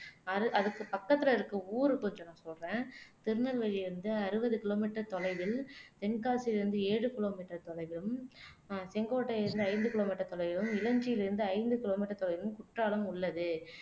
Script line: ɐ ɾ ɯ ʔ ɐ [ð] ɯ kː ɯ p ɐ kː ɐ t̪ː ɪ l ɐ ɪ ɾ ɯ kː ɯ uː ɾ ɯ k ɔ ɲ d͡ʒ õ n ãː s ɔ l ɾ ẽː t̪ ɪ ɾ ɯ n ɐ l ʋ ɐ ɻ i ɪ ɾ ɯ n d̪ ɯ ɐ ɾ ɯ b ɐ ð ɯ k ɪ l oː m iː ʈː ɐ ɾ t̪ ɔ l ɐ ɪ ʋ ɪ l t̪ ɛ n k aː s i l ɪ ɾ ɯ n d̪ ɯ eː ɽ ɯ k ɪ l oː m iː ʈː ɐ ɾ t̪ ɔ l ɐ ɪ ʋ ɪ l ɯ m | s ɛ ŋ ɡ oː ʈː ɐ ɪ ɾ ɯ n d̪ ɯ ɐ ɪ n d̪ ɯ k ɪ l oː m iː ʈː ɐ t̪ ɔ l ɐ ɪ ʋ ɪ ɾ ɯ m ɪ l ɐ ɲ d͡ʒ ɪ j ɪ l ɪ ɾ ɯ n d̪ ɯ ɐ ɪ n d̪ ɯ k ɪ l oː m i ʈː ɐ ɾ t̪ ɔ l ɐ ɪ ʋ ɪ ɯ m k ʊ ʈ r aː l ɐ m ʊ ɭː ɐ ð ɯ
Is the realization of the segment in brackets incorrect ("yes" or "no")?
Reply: no